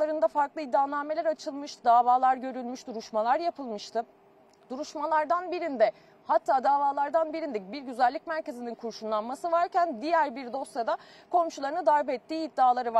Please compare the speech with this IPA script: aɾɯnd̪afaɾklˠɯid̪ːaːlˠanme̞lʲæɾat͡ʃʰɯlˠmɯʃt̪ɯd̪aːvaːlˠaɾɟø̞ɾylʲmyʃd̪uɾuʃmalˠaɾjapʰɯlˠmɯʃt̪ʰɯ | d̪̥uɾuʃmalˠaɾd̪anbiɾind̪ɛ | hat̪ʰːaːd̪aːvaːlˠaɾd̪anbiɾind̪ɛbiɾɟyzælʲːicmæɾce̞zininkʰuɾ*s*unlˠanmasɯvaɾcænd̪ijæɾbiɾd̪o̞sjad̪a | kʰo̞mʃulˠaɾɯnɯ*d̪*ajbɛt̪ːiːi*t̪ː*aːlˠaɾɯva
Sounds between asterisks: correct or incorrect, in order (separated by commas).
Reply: incorrect, correct, incorrect